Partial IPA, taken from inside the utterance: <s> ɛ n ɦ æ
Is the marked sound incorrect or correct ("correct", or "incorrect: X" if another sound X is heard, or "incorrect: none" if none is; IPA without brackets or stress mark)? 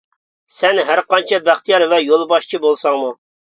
correct